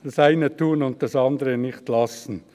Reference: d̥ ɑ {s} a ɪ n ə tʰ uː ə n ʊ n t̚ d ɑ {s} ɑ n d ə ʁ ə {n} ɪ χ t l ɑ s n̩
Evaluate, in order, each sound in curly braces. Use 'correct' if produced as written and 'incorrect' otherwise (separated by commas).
correct, correct, correct